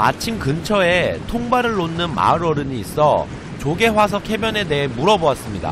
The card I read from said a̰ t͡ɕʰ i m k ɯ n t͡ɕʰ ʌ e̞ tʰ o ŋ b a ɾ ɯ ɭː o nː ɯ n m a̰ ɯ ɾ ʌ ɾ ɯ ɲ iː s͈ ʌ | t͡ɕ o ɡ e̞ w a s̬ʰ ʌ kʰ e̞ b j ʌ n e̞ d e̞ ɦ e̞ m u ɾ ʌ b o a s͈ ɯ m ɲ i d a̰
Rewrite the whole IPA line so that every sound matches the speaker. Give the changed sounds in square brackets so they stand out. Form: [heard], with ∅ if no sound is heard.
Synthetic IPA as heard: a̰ t͡ɕʰ i m k ɯ n t͡ɕʰ ʌ e̞ tʰ o ŋ b a ɾ ɯ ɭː o nː ɯ n m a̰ ɯ ɾ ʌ ɾ ɯ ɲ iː s͈ ʌ | t͡ɕ o ɡ e̞ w a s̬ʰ ʌ kʰ e̞ b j ʌ n e̞ d e̞ ɦ e̞ m u ɾ ʌ b o a s͈ ɯ m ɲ i d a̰